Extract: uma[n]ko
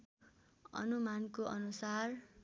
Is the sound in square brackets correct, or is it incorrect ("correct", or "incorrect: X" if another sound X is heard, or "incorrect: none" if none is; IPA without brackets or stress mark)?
correct